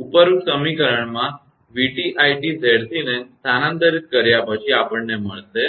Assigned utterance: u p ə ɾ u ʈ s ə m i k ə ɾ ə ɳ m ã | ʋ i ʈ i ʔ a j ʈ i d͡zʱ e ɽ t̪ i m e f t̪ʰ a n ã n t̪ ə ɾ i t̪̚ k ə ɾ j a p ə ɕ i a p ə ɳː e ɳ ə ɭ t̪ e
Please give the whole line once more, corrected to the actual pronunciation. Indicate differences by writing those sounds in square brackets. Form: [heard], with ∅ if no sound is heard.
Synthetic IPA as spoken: u p ə ɾ u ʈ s ə m i k ə ɾ ə ɳ m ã | ʋ i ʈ i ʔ a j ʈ i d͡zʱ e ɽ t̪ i [n] e [s] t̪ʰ a n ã n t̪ ə ɾ i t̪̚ k ə ɾ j a p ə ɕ i a p ə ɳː e [m] ə ɭ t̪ e